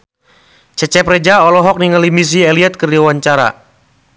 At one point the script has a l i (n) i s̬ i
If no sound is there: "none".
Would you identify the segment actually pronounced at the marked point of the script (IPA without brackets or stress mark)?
m